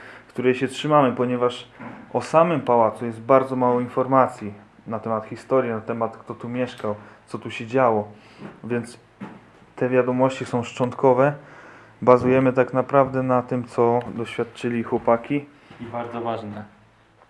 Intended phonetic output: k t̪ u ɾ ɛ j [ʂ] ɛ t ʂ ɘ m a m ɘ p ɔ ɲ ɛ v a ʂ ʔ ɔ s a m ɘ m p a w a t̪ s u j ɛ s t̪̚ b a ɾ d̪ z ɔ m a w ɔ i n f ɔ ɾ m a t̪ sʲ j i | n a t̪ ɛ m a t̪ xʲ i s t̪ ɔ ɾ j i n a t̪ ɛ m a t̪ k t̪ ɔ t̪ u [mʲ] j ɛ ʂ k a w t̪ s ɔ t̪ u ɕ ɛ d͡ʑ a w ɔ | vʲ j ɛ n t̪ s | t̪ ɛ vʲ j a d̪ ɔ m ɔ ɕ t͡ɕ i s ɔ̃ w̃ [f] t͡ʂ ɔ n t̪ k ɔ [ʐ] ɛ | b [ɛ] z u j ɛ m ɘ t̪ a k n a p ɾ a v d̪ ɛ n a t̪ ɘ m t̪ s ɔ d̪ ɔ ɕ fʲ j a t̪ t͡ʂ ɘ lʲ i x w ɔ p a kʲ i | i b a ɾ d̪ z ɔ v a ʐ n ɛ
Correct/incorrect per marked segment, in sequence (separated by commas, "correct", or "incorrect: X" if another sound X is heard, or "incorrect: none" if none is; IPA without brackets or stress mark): incorrect: ɕ, correct, incorrect: ʂ, incorrect: v, incorrect: a